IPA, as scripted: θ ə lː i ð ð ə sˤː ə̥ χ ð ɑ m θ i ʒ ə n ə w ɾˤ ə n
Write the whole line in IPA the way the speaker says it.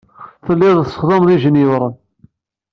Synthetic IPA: θ ə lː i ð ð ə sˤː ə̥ χ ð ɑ m ð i ʒ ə n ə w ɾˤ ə n